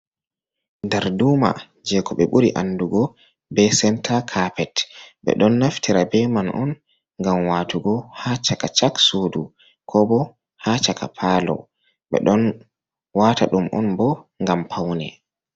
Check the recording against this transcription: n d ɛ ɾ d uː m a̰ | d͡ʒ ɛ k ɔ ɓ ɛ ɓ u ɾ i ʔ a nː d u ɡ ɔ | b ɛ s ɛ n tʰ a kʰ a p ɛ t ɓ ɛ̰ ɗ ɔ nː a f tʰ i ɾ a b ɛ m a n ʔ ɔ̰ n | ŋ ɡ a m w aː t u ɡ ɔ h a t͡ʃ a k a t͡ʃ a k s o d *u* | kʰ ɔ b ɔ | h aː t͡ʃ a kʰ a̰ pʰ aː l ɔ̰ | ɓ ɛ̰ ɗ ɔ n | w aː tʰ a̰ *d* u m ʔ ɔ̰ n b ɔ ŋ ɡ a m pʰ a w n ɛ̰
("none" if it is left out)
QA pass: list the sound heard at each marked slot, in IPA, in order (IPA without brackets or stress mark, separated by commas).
u, ɗ